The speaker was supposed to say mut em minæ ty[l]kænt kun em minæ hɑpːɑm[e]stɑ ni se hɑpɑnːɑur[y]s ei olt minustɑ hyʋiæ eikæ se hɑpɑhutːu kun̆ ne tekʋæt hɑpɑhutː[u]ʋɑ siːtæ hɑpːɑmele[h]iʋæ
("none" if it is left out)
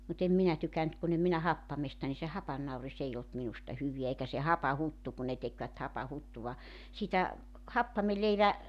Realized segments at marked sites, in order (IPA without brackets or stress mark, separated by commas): none, e, i, u, none